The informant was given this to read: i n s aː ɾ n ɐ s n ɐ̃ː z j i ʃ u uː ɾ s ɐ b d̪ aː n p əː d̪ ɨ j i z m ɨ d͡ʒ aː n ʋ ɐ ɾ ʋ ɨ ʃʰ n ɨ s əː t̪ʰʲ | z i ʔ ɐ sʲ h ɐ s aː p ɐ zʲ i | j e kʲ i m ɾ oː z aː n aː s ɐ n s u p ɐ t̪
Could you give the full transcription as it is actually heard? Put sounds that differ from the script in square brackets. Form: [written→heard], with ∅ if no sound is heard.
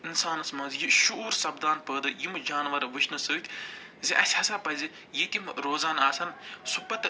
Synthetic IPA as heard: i n s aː [ɾ→∅] n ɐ s [n→m] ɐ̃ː z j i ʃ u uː ɾ s ɐ b d̪ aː n p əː d̪ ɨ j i [z→∅] m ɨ d͡ʒ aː n ʋ ɐ ɾ ʋ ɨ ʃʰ n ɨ s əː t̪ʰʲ | z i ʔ ɐ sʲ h ɐ s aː p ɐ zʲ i | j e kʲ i m ɾ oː z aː n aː s ɐ n s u p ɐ t̪